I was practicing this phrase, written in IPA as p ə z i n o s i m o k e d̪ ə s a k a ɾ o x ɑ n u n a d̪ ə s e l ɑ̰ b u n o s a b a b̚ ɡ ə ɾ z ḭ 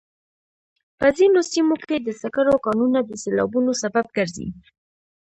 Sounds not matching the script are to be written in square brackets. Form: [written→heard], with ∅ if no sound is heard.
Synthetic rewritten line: p ə z i n o s i m o k e d̪ ə s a k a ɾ o [x→k] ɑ n u n a d̪ ə s e l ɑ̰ b u n o s a b a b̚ ɡ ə ɾ z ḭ